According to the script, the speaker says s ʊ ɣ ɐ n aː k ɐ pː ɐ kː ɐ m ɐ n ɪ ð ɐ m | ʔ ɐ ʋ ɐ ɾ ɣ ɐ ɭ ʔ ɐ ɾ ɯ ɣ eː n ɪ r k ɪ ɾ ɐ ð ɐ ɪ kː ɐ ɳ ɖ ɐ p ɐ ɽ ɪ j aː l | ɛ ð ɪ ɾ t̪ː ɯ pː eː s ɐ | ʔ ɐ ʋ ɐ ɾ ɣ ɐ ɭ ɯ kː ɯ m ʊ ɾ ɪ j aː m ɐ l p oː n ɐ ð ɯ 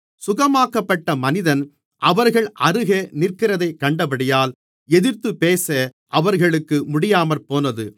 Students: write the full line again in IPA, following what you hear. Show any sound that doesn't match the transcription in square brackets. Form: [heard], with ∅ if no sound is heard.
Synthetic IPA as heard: s ʊ ɣ ɐ [m] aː k ɐ pː ɐ [ʈː] ɐ m ɐ n ɪ ð ɐ [n] | ʔ ɐ ʋ ɐ ɾ ɣ ɐ ɭ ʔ ɐ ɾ ɯ ɣ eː n ɪ r k ɪ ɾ ɐ ð ɐ ɪ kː ɐ ɳ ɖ ɐ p ɐ ɽ ɪ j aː l | ɛ ð ɪ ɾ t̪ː ɯ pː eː s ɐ | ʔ ɐ ʋ ɐ ɾ ɣ ɐ ɭ ɯ kː ɯ m ʊ [ɽ] ɪ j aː m ɐ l p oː n ɐ ð ɯ